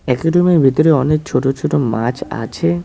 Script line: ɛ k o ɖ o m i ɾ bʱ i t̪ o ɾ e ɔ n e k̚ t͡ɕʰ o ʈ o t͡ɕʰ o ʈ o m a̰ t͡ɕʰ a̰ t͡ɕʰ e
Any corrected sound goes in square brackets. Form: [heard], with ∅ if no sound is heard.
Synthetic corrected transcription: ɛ k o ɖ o m i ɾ bʱ i t̪ o ɾ e ɔ n e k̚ t͡ɕʰ o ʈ o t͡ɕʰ o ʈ o m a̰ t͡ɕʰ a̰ t͡ɕʰ e